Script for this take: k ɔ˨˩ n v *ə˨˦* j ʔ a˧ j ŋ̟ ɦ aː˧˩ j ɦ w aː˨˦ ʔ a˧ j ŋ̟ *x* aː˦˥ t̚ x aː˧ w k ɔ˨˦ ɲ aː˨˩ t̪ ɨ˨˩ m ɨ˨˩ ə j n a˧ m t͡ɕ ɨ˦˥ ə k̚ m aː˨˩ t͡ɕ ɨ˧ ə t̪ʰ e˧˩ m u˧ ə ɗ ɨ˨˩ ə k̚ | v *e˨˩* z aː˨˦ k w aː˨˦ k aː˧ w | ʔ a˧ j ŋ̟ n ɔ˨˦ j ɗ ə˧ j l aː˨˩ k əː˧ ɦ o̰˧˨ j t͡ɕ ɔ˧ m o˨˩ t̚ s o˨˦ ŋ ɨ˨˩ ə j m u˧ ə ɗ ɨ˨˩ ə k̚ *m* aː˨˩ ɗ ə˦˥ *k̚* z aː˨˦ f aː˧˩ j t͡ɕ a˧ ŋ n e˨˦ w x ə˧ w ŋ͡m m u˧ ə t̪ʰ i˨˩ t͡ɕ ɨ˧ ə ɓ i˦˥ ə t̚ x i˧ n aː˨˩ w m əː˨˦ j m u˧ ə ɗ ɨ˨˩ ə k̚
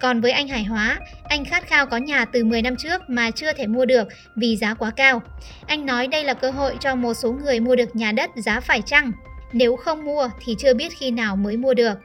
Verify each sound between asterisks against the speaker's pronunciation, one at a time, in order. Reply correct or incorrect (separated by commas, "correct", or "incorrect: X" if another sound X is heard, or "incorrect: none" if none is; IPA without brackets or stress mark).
incorrect: əː˨˦, correct, incorrect: i˨˩, incorrect: ɲ, incorrect: t̚